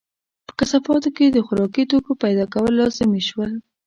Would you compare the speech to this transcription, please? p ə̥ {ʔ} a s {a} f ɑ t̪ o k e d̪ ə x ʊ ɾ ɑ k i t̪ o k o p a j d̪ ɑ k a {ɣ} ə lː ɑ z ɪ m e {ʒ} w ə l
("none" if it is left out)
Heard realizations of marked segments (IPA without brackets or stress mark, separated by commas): k, a, w, ʃ